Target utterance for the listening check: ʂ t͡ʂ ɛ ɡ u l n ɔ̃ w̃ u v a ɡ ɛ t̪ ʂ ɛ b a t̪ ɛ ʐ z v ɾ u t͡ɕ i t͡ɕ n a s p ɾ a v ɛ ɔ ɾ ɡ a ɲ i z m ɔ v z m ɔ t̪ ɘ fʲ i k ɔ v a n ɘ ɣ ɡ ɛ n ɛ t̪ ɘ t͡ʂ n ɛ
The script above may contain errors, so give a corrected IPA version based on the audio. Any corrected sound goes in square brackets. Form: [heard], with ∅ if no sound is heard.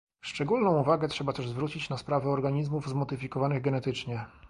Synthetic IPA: ʂ t͡ʂ ɛ ɡ u l n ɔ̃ w̃ u v a ɡ ɛ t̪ ʂ ɛ b a t̪ ɛ ʐ z v ɾ u t͡ɕ i t͡ɕ n a s p ɾ a v ɛ ɔ ɾ ɡ a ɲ i z m [u] v z m ɔ [d̪] ɘ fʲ i k ɔ v a n ɘ ɣ ɡ ɛ n ɛ t̪ ɘ t͡ʂ [ɲ] ɛ